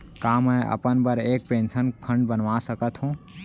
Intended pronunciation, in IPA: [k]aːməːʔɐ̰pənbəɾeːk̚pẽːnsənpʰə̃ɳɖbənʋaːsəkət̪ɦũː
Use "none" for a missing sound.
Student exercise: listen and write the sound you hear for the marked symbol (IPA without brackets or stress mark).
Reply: k